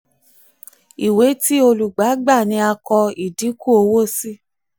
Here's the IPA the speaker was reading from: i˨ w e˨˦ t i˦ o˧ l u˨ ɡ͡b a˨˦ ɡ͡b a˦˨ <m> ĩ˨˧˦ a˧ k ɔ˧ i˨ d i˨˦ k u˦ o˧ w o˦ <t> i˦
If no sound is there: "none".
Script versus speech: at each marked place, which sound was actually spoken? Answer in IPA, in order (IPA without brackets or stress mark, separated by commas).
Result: n, s